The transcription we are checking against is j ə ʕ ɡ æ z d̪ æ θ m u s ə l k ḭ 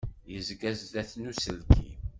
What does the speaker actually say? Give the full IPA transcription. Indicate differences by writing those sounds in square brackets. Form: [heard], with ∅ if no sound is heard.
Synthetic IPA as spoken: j ə [z] ɡ æ z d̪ æ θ [n] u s ə l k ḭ